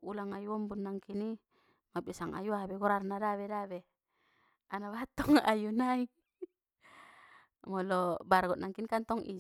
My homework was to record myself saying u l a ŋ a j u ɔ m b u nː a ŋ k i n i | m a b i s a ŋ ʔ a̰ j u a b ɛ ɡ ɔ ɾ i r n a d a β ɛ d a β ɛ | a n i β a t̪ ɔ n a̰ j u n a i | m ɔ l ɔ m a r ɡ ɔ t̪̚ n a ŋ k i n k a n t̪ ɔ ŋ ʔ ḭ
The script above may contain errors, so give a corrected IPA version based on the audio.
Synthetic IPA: u l a ŋ a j u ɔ m b u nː a ŋ k i n i | m a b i s a ŋ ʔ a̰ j u a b ɛ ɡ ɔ ɾ a r n a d a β ɛ d a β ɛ | a n a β a t̪ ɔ ŋ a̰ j u n a i | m ɔ l ɔ b a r ɡ ɔ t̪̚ n a ŋ k i n k a n t̪ ɔ ŋ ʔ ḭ